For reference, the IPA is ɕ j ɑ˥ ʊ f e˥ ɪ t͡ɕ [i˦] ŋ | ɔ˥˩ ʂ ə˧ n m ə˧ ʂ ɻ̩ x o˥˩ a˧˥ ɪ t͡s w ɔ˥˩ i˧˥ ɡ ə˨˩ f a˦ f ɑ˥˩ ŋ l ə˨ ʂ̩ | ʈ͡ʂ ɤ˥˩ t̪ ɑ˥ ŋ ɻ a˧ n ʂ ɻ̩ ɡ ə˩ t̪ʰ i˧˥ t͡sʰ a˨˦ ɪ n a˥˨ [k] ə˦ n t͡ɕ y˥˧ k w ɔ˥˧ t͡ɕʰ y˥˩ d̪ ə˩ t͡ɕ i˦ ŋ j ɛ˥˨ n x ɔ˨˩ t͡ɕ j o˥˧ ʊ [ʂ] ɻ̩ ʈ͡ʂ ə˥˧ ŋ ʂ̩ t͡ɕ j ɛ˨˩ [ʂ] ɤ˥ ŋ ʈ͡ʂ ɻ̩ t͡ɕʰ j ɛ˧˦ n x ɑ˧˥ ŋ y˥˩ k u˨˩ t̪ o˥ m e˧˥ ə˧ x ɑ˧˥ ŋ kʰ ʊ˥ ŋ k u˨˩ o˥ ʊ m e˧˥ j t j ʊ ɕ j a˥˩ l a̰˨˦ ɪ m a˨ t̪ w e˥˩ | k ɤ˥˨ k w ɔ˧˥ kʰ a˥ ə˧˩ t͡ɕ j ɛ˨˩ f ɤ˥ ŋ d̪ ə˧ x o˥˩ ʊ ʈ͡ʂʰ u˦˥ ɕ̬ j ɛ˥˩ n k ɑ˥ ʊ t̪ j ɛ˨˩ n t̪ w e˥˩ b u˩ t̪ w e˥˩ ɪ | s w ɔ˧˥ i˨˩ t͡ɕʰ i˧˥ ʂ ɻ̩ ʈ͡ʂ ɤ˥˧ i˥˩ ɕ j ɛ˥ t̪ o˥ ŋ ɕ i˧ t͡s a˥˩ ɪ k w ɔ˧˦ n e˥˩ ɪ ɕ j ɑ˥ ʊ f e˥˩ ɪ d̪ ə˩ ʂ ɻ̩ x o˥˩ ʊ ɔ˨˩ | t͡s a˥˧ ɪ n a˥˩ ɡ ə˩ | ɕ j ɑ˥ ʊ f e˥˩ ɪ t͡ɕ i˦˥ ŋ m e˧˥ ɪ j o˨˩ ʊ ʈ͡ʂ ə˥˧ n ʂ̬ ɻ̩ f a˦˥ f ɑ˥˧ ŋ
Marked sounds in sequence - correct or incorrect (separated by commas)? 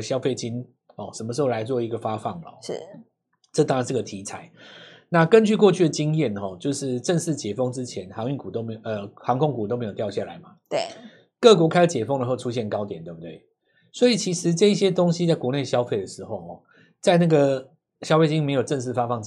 correct, correct, correct, incorrect